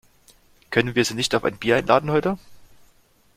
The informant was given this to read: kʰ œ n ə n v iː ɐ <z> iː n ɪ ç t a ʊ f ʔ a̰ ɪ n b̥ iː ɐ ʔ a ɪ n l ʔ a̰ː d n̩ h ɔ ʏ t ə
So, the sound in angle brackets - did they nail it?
yes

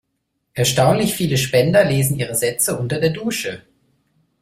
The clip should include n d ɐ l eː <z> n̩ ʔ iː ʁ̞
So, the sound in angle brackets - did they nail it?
yes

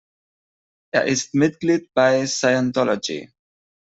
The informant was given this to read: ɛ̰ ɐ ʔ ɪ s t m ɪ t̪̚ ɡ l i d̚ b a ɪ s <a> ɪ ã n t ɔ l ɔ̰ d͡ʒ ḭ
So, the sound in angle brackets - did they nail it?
yes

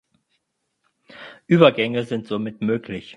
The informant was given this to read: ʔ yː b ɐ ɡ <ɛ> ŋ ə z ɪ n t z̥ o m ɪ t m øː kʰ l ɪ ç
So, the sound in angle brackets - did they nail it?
yes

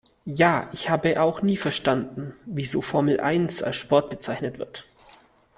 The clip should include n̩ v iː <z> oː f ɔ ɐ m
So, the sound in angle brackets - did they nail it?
yes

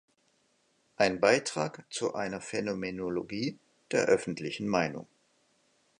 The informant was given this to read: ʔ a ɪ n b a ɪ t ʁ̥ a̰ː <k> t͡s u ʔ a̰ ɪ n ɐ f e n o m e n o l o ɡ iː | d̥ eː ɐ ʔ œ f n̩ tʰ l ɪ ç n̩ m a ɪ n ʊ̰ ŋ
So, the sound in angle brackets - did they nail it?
yes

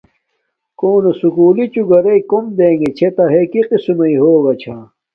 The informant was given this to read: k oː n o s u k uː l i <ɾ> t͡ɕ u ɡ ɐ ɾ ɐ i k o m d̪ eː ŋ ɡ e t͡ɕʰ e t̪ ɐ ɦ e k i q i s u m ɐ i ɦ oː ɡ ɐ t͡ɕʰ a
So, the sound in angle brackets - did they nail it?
no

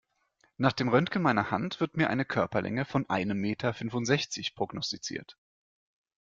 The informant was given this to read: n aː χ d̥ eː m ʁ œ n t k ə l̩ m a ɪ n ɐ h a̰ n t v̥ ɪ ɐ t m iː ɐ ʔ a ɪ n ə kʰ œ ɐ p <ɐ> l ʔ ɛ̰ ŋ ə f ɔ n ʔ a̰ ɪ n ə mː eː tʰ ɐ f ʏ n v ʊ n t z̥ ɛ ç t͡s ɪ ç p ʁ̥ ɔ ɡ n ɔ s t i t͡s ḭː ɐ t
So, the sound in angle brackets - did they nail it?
yes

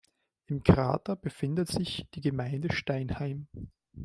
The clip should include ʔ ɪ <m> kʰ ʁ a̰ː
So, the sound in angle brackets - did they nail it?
yes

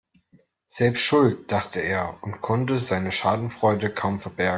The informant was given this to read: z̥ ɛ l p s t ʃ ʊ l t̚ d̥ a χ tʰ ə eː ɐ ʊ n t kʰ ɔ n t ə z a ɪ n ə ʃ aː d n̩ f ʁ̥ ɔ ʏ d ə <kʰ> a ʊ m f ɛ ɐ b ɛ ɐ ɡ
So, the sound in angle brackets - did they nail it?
yes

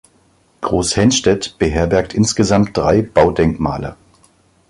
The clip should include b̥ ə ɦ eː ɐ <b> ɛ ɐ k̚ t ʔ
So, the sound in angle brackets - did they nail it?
yes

